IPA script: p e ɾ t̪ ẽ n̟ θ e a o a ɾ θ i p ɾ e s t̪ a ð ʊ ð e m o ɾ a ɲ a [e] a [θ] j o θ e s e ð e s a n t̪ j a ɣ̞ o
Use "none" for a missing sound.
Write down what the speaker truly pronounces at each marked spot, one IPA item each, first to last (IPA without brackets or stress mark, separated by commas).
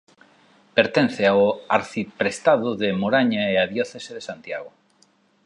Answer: e, ð